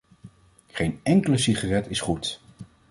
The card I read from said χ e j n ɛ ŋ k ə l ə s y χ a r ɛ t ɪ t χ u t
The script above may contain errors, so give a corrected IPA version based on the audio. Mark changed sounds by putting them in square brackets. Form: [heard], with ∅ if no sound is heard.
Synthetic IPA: χ e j n ɛ ŋ k ə l ə s [i] χ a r ɛ t ɪ [s] χ u t